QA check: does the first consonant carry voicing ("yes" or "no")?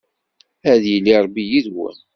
yes